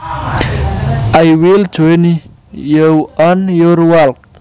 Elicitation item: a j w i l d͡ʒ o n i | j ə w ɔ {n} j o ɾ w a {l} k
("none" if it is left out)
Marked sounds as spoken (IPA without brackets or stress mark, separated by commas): n, l